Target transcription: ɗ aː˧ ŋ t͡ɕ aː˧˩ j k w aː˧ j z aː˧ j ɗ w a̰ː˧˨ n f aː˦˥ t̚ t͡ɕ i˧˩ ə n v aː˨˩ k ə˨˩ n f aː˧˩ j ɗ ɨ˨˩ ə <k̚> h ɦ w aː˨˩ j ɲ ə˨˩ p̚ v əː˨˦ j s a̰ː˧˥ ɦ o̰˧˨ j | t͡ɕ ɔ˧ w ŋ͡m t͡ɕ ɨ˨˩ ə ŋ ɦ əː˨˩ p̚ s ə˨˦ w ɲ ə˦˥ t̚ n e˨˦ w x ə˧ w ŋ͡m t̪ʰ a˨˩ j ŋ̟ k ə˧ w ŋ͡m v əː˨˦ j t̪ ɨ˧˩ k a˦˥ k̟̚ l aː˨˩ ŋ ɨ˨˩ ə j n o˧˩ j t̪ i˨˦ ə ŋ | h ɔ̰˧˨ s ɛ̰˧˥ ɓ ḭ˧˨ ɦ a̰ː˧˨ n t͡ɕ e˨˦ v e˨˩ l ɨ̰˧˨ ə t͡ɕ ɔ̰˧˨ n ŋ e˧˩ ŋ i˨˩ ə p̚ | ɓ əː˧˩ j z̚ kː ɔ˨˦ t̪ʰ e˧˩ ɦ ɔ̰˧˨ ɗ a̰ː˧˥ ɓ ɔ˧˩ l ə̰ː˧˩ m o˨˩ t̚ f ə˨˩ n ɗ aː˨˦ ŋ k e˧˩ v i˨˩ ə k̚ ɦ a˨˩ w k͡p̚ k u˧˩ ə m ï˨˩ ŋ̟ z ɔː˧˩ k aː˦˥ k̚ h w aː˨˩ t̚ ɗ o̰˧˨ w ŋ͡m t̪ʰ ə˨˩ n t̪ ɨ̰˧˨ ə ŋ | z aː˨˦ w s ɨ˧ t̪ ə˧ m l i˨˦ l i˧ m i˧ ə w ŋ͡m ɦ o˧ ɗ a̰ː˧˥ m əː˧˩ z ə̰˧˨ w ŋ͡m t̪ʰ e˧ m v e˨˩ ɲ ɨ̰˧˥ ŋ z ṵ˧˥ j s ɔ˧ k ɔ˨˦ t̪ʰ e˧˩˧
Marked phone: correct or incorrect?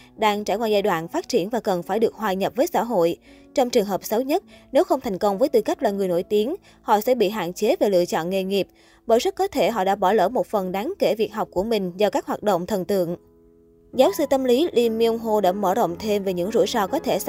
correct